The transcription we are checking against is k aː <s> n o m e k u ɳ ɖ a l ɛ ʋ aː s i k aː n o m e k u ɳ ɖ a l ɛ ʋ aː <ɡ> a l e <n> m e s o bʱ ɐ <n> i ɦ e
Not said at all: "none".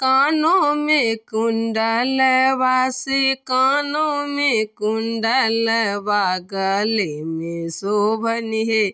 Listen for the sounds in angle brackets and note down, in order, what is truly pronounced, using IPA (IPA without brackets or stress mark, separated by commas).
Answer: none, ɡ, none, n